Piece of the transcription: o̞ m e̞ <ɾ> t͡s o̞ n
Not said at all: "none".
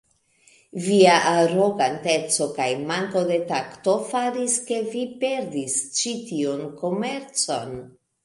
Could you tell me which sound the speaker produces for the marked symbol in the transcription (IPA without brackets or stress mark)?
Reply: ɾ